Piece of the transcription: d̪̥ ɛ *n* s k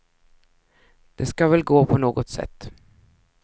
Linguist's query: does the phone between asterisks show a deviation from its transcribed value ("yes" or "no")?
yes